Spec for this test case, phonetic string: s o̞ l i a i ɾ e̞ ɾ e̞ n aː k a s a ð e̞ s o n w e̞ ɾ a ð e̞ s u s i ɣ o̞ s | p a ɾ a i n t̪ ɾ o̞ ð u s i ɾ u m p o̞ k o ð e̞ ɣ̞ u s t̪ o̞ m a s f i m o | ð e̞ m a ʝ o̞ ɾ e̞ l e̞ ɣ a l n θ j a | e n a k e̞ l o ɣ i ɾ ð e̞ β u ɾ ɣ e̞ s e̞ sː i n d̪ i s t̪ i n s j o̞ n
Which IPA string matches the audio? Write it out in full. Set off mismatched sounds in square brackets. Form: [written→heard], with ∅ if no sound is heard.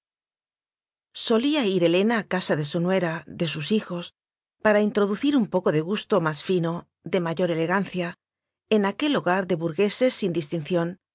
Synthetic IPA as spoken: s o̞ l i a i ɾ e̞ [ɾ→l] e̞ n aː k a s a ð e̞ s o n w e̞ ɾ a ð e̞ s u s i [ɣ→x] o̞ s | p a ɾ a i n t̪ ɾ o̞ ð u [s→θ] i ɾ u m p o̞ k o ð e̞ ɣ̞ u s t̪ o̞ m a s f i [m→n] o | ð e̞ m a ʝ o̞ ɾ e̞ l e̞ ɣ a [l→∅] n θ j a | e n a k e̞ l o ɣ [i→a] ɾ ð e̞ β u ɾ ɣ e̞ s e̞ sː i n d̪ i s t̪ i n [s→θ] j o̞ n